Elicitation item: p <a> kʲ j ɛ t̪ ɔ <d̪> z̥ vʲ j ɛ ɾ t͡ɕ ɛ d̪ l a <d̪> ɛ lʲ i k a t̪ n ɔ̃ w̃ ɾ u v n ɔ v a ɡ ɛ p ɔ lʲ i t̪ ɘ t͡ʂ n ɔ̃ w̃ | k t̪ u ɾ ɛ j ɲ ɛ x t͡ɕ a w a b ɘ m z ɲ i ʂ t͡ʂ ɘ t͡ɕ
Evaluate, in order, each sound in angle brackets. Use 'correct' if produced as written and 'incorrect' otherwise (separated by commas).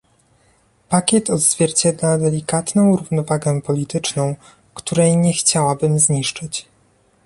correct, correct, correct